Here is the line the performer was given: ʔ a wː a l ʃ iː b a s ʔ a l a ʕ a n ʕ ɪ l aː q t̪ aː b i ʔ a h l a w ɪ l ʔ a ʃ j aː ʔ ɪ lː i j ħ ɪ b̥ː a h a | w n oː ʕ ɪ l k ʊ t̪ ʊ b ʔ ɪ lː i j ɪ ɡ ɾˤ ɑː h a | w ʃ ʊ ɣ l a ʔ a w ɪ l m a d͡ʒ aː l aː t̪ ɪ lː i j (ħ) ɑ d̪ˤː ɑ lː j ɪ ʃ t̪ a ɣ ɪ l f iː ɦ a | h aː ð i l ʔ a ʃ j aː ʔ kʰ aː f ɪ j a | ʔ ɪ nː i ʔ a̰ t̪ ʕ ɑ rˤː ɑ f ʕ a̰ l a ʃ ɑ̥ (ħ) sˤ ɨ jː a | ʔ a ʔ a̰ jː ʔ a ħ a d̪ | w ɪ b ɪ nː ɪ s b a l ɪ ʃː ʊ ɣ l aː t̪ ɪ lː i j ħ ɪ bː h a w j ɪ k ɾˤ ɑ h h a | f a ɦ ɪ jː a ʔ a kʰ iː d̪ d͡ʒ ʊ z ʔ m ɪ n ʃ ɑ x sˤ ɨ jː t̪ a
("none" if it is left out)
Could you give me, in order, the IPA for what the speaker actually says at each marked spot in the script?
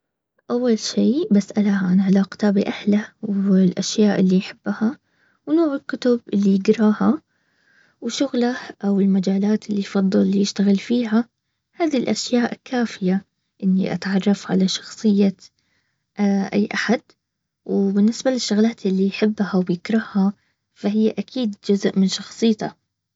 f, x

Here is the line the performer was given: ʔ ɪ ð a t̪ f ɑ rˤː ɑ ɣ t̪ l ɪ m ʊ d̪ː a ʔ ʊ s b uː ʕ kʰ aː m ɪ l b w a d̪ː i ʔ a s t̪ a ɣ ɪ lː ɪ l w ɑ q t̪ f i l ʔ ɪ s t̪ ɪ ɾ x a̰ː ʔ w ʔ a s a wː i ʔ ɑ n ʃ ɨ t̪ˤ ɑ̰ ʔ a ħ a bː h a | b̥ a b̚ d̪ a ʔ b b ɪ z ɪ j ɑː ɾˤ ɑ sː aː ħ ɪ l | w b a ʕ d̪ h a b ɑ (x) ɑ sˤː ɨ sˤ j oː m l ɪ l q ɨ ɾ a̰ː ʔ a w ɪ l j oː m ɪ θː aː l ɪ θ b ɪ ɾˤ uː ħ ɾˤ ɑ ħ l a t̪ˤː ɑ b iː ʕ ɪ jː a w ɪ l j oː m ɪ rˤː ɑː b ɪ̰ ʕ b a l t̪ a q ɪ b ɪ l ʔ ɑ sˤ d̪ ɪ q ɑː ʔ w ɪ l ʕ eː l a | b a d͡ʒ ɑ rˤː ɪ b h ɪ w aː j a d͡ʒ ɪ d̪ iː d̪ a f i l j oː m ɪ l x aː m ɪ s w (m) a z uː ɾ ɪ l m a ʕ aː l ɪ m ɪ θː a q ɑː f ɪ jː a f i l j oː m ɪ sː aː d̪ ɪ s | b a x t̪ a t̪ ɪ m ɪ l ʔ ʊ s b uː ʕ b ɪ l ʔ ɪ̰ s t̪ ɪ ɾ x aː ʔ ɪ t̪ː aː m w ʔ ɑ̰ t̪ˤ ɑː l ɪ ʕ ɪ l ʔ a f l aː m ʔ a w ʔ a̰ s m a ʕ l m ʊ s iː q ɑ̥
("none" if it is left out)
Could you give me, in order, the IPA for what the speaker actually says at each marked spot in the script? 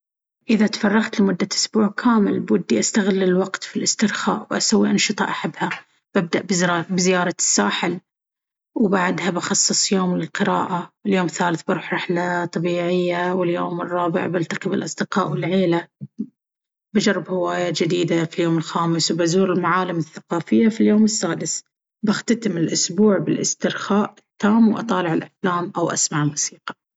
x, b

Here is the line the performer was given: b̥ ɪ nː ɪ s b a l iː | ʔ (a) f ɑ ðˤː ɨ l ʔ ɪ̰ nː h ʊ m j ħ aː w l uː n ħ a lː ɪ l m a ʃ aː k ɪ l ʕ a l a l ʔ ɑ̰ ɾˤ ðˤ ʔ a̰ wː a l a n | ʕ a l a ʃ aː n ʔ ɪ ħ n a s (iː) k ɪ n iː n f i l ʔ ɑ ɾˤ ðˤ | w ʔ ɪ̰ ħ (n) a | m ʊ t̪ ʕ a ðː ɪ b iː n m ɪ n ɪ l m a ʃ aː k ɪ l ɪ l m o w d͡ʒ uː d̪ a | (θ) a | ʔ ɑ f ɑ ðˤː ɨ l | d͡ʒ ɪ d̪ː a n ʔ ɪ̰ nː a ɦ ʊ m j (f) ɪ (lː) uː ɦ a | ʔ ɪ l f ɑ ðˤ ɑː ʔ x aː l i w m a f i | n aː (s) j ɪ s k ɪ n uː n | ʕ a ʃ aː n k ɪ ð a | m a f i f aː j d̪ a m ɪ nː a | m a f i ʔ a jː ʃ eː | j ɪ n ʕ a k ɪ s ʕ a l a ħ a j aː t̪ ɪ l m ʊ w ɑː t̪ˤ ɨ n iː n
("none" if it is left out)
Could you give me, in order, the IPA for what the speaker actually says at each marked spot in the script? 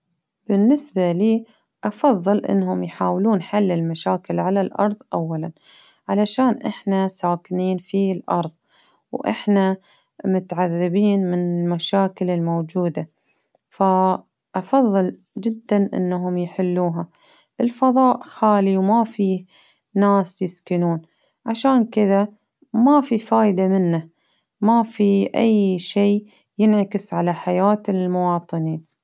ɑ, aː, n, f, ħ, lː, s

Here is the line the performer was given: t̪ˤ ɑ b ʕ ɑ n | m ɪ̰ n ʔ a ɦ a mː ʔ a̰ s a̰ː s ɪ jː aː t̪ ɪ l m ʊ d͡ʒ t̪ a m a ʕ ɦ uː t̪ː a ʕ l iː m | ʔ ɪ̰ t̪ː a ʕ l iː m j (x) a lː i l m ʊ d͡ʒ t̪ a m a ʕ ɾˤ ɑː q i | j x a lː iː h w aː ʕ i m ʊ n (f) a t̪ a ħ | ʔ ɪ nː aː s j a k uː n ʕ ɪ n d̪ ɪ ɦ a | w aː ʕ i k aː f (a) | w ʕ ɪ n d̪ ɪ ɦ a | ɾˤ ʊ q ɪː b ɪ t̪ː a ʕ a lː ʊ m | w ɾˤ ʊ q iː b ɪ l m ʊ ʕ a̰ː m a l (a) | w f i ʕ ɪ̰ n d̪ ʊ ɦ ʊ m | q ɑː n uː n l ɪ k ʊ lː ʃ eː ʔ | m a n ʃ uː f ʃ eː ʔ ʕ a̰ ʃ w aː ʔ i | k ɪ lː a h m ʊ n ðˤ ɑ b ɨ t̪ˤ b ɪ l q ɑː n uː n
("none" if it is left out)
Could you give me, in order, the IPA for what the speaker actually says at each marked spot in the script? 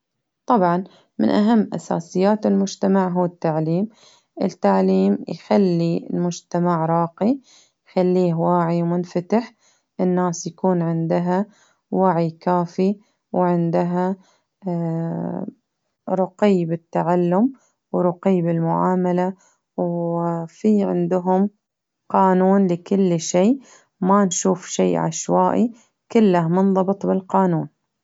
x, f, i, a

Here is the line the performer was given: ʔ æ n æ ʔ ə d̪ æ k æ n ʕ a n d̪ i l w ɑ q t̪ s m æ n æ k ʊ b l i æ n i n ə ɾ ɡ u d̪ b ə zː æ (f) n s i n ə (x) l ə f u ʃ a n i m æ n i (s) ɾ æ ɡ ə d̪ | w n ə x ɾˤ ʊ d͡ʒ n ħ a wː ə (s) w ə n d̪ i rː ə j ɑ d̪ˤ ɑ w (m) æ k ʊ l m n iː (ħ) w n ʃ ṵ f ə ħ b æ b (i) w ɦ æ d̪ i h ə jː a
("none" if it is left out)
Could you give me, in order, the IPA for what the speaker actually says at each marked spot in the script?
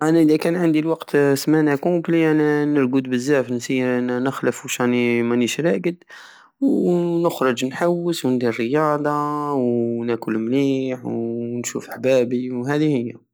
f, x, ʃ, s, n, ħ, i

